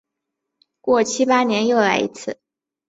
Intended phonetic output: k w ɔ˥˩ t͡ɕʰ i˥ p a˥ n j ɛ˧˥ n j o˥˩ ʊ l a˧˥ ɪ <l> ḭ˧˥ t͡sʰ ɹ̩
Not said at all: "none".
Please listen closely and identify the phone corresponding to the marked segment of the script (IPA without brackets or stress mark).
none